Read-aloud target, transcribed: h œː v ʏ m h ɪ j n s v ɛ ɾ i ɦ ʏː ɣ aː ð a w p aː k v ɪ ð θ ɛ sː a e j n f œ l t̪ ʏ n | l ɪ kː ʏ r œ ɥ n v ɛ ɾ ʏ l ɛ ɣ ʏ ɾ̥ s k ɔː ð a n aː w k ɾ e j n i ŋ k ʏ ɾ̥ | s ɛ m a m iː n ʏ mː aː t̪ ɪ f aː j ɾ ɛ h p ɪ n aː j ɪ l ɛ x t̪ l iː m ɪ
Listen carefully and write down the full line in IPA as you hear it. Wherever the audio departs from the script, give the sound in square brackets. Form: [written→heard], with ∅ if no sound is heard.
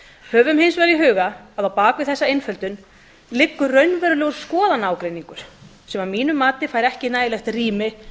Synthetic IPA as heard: h œː v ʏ m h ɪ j n s v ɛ ɾ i ɦ ʏː ɣ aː ð a w p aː k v ɪ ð θ ɛ sː a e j n f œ l t̪ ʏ n | l ɪ kː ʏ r œ ɥ n v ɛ ɾ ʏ l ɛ ɣ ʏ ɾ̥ s k ɔː ð a n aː w k ɾ e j n i ŋ k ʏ ɾ̥ | s ɛ m a m iː n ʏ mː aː t̪ ɪ f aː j ɾ ɛ h [p→c] ɪ n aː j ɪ l ɛ x t̪ [l→r] iː m ɪ